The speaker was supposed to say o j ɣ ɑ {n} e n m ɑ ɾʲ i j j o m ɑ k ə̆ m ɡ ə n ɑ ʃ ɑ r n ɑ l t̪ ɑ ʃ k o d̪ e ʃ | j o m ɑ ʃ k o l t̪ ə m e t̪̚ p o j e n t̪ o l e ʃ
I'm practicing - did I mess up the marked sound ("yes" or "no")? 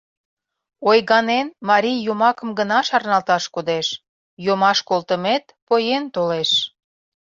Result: no